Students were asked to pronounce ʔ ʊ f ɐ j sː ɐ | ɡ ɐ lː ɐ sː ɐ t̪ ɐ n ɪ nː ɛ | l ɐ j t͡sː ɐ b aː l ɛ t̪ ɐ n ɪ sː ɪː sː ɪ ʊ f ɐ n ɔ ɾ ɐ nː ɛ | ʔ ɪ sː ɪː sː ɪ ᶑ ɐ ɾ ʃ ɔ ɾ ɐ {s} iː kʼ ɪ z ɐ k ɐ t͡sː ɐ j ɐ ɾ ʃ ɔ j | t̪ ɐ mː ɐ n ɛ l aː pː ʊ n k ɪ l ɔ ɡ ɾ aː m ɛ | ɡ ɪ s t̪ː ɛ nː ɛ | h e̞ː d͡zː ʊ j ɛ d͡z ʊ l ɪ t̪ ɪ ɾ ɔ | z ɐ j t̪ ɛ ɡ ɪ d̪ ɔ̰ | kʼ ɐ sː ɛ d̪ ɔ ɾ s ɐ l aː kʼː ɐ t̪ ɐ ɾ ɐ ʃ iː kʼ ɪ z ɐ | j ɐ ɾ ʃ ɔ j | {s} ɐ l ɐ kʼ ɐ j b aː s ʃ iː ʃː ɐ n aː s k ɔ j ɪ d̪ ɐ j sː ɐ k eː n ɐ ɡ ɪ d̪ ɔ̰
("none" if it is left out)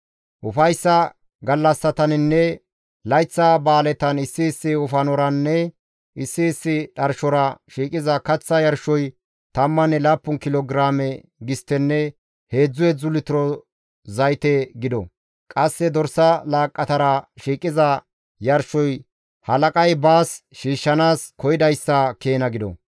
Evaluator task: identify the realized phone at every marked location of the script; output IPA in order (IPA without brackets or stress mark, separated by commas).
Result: ʃ, h